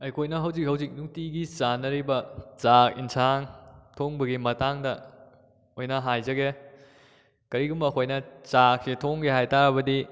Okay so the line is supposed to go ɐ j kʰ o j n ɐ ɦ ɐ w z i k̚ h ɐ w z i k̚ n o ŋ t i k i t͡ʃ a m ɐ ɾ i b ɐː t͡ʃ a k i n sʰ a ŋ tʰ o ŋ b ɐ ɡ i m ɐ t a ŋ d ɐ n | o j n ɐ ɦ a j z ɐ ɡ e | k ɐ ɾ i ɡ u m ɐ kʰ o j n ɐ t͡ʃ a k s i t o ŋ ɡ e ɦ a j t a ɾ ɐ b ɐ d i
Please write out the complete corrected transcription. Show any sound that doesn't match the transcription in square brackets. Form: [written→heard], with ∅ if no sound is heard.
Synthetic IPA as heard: ɐ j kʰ o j n ɐ ɦ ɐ w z i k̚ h ɐ w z i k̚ n [o→u] ŋ t i [k→ɡ] i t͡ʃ a [m→n] ɐ ɾ i b [ɐː→ɐ] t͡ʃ a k i n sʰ a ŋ tʰ o ŋ b ɐ ɡ i m ɐ t a ŋ d ɐ [n→∅] | o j n ɐ ɦ a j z ɐ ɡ e | k ɐ ɾ i ɡ u m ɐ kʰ o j n ɐ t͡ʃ a k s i [t→tʰ] o ŋ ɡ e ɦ a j t a ɾ ɐ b ɐ d i